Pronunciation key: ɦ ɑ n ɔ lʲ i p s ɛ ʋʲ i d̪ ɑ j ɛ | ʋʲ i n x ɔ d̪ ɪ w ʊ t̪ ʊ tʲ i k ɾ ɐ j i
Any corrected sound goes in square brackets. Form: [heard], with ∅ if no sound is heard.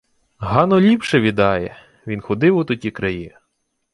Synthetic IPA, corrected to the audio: ɦ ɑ n ɔ lʲ i p [ʃ] ɛ ʋʲ i d̪ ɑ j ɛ | ʋʲ i n x ɔ d̪ ɪ w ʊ t̪ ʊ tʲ i k ɾ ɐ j i

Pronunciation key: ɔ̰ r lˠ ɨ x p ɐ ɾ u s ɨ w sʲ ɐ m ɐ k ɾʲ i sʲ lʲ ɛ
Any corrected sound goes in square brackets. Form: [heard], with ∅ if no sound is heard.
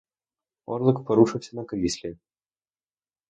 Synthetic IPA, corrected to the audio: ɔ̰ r lˠ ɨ [k] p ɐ ɾ u [ʂ] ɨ w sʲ ɐ [n] ɐ k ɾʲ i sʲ lʲ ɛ

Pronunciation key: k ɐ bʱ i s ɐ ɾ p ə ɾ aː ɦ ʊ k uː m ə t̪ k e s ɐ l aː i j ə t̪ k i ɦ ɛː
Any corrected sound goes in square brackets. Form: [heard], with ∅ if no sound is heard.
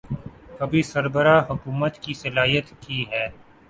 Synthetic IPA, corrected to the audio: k ɐ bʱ i s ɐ ɾ [b] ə ɾ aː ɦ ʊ k uː m ə t̪ k [i] s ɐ l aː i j ə t̪ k i ɦ ɛː

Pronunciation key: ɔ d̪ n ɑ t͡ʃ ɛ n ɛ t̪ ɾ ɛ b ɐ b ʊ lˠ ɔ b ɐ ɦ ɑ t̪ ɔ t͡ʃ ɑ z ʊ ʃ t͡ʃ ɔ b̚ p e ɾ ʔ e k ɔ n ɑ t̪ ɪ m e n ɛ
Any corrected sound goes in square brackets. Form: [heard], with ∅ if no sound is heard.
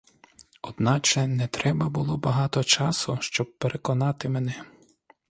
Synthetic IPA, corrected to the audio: ɔ d̪ n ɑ t͡ʃ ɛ n ɛ t̪ ɾ ɛ b ɐ b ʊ lˠ ɔ b ɐ ɦ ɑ t̪ ɔ t͡ʃ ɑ [s] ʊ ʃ t͡ʃ ɔ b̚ p e ɾ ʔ e k ɔ n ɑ t̪ ɪ m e n ɛ

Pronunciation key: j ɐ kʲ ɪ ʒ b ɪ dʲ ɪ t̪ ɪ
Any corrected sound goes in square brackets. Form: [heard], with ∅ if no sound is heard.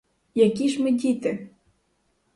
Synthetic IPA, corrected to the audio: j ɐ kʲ [i] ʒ [m] ɪ dʲ [i] t̪ ɪ

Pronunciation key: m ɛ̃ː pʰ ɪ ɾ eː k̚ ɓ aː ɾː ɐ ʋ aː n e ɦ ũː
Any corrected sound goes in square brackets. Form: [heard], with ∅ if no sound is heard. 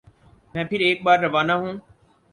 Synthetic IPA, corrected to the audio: m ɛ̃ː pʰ ɪ ɾ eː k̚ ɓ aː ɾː ɐ ʋ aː n [a] ɦ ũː

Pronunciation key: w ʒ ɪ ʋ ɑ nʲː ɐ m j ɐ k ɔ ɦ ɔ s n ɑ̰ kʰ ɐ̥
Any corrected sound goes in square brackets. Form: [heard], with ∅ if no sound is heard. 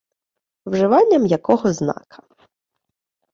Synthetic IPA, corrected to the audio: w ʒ ɪ ʋ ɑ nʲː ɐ m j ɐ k ɔ ɦ ɔ [z] n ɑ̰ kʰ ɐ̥

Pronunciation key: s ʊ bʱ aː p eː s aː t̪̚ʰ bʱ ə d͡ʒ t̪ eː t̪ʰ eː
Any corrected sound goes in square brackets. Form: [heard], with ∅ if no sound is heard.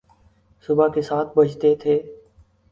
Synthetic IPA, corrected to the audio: s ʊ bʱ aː [k] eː s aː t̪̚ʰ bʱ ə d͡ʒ t̪ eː t̪ʰ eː

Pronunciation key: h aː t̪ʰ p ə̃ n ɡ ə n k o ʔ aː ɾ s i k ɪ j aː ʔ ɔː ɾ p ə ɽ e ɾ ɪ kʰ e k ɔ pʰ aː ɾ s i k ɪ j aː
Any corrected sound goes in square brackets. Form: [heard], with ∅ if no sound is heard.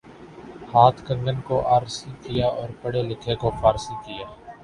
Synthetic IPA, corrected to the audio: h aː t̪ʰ [k] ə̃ [ŋ] ɡ ə n k o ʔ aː ɾ s i k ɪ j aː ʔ ɔː ɾ p ə ɽ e [l] ɪ kʰ e k [o] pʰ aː ɾ s i k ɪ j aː

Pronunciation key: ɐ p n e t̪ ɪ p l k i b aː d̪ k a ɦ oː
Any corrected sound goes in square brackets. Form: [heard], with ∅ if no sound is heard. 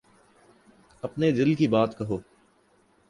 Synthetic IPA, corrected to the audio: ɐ p n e [d̪] ɪ [∅] l k i b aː [t̪] k [ɐ] ɦ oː

